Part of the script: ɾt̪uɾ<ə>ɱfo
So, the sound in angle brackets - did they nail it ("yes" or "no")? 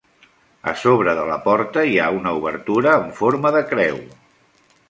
no